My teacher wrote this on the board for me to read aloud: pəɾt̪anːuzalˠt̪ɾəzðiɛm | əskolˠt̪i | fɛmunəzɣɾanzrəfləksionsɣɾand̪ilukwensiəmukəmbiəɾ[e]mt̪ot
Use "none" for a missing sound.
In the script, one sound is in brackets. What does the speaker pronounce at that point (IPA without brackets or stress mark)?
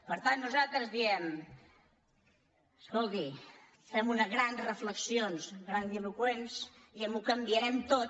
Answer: ɛ